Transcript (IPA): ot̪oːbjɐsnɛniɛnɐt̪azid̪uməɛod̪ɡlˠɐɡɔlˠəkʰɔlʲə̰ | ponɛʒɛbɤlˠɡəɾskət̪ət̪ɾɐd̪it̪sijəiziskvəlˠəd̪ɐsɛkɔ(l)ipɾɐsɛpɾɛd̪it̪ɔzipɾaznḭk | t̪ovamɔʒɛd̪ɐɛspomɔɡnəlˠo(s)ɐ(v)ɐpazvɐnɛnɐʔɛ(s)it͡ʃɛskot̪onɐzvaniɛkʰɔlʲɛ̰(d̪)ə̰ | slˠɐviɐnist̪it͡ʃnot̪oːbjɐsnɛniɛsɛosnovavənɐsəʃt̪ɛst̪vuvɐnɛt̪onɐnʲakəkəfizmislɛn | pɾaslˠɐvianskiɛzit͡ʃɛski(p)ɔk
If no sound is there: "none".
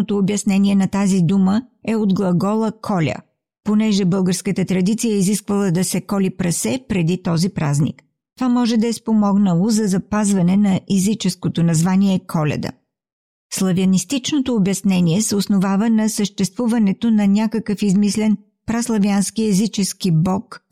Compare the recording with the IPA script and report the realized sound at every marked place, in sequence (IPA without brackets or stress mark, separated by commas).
l, z, z, z, d̪, b